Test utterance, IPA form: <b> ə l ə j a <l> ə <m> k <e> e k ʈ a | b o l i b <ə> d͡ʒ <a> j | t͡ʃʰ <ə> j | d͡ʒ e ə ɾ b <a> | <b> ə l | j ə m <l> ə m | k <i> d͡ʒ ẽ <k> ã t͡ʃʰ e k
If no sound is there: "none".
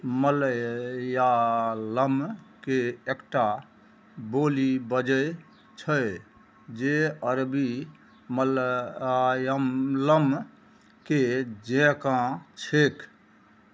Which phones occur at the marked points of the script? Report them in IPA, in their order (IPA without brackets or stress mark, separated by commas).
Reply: m, l, m, e, ə, ə, ə, i, m, l, e, k